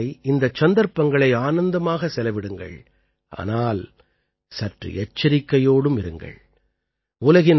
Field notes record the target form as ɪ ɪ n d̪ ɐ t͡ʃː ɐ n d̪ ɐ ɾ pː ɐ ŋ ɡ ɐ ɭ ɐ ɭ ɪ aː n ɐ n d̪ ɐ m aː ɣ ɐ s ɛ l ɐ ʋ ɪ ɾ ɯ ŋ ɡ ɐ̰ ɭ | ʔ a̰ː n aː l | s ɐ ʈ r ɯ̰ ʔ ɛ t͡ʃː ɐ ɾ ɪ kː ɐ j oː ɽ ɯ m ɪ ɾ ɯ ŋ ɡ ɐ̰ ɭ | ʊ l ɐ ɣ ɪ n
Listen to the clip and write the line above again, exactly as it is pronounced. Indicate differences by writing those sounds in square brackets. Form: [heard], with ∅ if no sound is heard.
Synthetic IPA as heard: ɪ ɪ n d̪ ɐ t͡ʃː ɐ n d̪ ɐ ɾ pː ɐ ŋ ɡ ɐ ɭ ɐ [∅] ɪ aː n ɐ n d̪ ɐ m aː ɣ ɐ s ɛ l ɐ ʋ ɪ [ɽ] ɯ ŋ ɡ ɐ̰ ɭ | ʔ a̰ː n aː l | s ɐ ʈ r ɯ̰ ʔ ɛ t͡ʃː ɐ ɾ ɪ kː ɐ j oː ɽ ɯ m ɪ ɾ ɯ ŋ ɡ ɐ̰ ɭ | ʊ l ɐ ɣ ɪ n